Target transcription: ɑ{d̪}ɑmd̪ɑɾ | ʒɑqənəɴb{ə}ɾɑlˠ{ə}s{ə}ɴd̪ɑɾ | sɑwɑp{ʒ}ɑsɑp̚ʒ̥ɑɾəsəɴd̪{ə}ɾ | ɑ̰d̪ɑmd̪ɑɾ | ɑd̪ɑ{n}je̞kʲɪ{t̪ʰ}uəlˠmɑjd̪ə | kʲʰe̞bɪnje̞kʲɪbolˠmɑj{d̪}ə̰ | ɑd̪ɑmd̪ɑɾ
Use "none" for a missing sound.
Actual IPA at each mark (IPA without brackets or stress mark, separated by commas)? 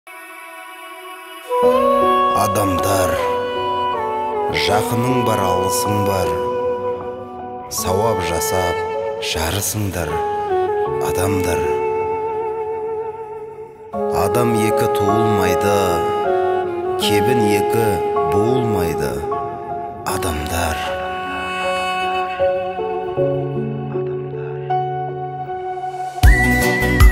d̪, ɑ, ə, ə, ʒ, ɑ, m, t̪ʰ, d̪